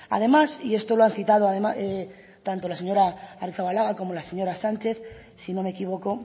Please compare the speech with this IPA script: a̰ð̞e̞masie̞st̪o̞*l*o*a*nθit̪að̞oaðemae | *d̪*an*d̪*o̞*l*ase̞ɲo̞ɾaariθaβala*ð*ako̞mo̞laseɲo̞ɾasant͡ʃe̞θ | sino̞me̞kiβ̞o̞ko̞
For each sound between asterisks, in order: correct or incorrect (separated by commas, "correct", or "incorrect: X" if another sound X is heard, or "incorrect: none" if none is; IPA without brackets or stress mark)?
correct, correct, incorrect: t̪, incorrect: t̪, correct, incorrect: ɣ